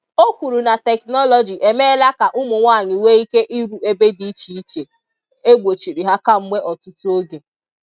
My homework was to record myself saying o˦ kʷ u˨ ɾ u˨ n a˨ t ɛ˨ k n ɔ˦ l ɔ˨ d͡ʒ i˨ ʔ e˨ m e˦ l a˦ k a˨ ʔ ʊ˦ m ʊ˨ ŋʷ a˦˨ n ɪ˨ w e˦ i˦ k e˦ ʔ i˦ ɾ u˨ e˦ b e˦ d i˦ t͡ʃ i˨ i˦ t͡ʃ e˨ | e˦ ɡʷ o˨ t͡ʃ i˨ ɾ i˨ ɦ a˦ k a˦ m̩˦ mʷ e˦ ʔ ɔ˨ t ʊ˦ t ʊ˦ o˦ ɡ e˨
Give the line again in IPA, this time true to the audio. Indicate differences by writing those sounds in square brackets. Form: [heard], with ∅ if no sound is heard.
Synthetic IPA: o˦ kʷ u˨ ɾ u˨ n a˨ t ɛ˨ k n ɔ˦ l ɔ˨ d͡ʒ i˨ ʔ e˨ m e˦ l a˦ k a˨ ʔ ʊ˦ m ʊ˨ ŋʷ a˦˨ [ɲ] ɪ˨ w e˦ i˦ k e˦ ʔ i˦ ɾ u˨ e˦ b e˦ d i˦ t͡ʃ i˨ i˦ t͡ʃ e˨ | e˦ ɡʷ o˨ t͡ʃ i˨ ɾ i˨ ɦ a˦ k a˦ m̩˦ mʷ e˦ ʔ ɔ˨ t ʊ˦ t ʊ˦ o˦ ɡ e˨